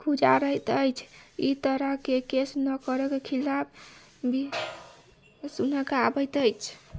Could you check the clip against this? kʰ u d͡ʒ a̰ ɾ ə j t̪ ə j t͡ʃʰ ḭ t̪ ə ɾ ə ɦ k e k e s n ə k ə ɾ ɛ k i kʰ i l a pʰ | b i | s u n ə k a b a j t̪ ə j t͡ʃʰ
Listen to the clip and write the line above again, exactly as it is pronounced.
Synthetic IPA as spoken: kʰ u d͡ʒ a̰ ɾ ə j t̪ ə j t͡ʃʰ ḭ t̪ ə ɾ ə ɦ k e k e s n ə k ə ɾ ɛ k e kʰ i l a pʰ | b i | s u n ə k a b ə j t̪ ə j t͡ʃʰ